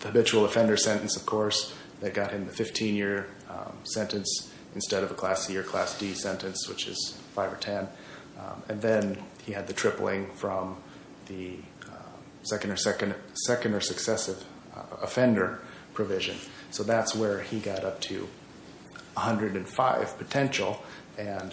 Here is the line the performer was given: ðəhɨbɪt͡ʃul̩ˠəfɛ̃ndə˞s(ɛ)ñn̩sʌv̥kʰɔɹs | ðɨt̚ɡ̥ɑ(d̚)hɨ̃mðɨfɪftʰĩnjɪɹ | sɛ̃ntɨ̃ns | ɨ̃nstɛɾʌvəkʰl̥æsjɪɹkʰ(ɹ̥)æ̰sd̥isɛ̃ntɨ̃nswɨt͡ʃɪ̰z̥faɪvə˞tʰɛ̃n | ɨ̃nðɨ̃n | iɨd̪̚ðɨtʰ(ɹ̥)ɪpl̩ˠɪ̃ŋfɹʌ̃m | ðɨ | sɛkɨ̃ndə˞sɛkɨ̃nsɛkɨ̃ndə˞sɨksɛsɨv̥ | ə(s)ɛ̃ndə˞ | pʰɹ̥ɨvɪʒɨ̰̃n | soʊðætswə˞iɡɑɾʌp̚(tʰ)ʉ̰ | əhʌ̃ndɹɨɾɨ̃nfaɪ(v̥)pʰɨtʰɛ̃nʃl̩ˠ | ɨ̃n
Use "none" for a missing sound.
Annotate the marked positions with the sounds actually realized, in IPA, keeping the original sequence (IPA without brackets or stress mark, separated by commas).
ɛ̃, t̚, l̥, ɹ̥, f, tʰ, v̥